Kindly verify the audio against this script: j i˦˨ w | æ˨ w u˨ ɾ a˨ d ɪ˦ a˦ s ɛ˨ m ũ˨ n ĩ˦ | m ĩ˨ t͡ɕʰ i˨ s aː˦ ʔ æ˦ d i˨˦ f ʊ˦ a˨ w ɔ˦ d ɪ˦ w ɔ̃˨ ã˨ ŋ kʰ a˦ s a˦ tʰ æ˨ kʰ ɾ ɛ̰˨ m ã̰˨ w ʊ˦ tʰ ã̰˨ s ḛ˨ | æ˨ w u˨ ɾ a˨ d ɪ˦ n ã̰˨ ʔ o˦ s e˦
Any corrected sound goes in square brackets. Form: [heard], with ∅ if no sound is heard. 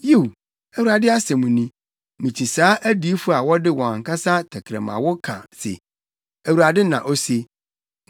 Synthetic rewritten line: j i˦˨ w | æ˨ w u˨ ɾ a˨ d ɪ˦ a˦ s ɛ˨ m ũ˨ n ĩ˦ | m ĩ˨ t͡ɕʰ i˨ s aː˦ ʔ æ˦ d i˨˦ f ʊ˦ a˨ w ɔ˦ d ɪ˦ w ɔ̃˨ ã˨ ŋ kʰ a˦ s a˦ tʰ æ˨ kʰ ɾ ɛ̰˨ m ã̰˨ w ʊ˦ [kʰ] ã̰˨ s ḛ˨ | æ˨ w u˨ ɾ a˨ d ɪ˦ n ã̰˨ ʔ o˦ s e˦